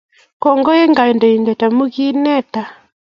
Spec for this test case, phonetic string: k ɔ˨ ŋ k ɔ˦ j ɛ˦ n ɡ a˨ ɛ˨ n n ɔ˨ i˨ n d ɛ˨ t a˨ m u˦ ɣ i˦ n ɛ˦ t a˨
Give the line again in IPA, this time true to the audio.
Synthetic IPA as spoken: k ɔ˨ ŋ ɡ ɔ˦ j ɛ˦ ŋ ɡ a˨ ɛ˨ n d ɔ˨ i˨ n d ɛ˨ t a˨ m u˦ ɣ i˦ n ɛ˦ t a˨